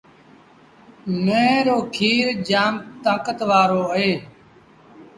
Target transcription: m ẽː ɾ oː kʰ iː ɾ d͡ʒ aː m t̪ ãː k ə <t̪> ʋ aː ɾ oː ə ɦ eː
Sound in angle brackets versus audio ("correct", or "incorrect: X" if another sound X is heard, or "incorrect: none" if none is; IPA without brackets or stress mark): correct